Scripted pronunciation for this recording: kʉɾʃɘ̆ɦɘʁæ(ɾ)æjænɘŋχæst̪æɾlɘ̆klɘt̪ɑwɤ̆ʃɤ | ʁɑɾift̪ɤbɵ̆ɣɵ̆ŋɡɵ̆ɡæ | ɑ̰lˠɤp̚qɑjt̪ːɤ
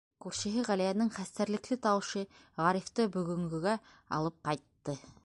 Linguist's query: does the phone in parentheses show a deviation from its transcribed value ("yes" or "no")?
yes